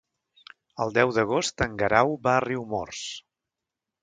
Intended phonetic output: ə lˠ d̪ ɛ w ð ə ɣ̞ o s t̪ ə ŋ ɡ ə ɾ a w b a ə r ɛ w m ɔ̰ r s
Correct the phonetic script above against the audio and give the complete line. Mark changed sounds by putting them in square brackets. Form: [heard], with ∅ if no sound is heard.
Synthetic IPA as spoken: ə lˠ d̪ ɛ w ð ə ɣ̞ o s t̪ ə ŋ ɡ ə ɾ a w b a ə r [i] w m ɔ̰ r s